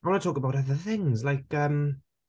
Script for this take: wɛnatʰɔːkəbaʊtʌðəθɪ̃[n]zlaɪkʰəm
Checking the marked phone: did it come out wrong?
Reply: yes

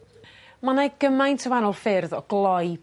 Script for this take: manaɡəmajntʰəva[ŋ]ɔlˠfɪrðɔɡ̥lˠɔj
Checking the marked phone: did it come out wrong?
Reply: yes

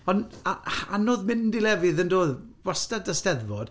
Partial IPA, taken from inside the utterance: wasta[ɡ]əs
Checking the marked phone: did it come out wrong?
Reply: yes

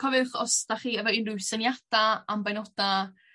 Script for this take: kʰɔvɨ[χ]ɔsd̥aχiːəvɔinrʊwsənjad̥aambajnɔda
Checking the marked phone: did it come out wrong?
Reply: no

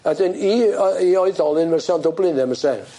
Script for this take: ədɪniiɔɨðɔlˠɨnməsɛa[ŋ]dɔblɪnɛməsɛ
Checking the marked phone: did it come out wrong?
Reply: yes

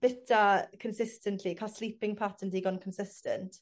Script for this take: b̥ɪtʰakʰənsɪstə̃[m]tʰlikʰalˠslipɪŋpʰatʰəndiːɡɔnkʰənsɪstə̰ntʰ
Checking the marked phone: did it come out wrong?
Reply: yes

